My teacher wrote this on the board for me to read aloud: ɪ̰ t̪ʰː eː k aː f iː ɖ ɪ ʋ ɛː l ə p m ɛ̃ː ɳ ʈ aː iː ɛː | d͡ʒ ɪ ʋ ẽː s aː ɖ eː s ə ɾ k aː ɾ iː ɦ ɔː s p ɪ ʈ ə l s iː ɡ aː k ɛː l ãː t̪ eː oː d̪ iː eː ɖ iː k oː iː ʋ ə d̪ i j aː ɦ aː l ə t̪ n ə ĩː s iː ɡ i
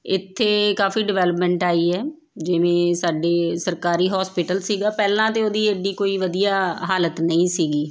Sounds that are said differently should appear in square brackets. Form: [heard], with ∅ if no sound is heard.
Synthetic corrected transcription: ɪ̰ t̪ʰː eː k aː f iː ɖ ɪ ʋ ɛː l ə p m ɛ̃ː ɳ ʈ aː iː ɛː | d͡ʒ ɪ ʋ ẽː s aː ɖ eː s ə ɾ k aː ɾ iː ɦ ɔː s p ɪ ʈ ə l s iː ɡ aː [p] ɛː l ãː t̪ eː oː d̪ iː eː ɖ iː k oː iː ʋ ə d̪ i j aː ɦ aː l ə t̪ n ə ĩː s iː ɡ [iː]